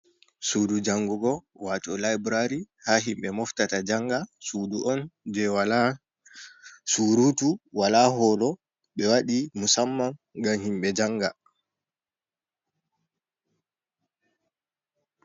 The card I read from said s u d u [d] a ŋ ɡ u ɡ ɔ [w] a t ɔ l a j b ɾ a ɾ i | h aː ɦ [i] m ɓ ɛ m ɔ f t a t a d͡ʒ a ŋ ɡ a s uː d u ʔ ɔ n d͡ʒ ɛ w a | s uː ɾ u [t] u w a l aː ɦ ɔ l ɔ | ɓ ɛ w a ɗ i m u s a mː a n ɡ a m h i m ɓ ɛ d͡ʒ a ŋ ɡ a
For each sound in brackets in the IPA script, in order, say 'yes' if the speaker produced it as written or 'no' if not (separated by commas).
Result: no, yes, yes, yes